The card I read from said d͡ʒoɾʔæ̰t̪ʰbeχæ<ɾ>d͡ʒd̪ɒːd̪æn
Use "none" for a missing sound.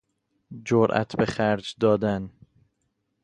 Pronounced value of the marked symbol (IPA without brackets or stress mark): ɾ